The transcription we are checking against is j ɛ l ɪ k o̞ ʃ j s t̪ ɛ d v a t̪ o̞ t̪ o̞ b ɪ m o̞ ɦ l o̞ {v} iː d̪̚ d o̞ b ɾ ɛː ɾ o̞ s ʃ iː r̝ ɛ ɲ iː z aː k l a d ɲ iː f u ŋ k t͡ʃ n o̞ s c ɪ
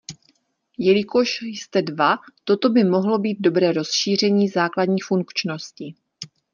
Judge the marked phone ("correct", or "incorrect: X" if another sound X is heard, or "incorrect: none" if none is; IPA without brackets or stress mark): incorrect: b